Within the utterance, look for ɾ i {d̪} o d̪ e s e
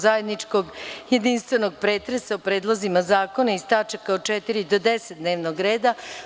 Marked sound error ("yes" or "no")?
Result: no